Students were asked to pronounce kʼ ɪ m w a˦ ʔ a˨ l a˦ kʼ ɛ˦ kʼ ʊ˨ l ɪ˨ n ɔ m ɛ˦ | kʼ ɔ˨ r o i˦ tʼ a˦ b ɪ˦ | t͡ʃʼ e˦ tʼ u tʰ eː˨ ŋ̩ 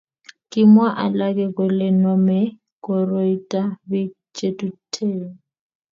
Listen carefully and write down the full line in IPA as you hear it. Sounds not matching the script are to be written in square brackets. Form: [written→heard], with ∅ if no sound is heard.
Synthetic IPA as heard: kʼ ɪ m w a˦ ʔ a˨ l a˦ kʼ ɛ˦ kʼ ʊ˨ l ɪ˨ n ɔ m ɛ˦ | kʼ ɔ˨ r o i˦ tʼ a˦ b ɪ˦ | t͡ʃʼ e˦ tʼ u tʰ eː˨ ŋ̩